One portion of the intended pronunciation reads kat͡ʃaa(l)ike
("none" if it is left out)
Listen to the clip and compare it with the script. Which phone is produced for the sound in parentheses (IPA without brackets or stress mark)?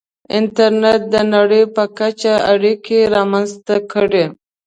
ɽ